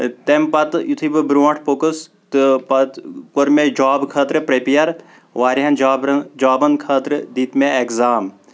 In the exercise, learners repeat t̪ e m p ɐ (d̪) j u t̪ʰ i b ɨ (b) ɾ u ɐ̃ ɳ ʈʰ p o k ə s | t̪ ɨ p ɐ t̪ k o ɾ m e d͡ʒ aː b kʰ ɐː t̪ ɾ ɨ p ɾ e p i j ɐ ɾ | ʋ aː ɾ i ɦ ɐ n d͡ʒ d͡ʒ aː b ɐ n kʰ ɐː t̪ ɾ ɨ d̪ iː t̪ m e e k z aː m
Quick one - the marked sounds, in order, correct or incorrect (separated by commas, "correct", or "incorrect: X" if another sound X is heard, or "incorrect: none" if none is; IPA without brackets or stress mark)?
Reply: incorrect: t̪, correct